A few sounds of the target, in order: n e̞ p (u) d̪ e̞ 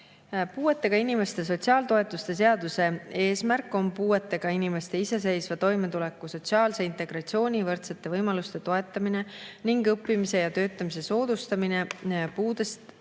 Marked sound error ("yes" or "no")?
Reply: yes